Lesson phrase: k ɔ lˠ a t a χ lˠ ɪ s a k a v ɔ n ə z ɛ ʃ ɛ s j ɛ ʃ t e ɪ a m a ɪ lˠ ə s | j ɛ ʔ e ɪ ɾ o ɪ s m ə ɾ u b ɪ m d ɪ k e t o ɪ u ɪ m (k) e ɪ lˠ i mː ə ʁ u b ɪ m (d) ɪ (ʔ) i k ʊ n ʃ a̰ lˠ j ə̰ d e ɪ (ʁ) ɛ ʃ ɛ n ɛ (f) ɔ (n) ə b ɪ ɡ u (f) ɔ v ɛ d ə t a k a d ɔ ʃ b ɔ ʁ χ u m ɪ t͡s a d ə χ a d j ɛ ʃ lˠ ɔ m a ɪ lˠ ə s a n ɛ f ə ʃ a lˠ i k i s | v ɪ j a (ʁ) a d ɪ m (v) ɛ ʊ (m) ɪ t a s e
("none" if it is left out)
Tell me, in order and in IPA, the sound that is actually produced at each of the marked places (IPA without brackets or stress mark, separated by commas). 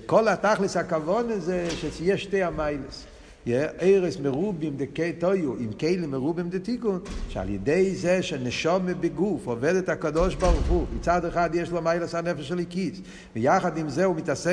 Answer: k, d, t, z, ʃ, m, f, χ, z, m